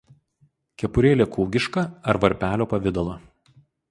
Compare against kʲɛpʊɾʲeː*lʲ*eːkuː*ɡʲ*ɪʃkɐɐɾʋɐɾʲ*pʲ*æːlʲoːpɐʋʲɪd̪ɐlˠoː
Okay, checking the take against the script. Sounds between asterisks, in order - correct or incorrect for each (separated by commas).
correct, correct, correct